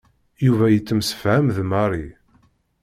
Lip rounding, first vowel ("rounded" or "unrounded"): rounded